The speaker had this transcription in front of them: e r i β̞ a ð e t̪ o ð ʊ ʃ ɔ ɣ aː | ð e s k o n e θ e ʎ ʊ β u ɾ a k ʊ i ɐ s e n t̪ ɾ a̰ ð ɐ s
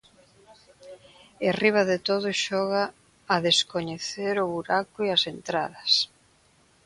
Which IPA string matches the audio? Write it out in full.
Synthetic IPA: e r i β̞ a ð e t̪ o ð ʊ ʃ ɔ ɣ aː | ð e s k o ɲ e θ e ɾ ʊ β u ɾ a k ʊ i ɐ s e n t̪ ɾ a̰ ð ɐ s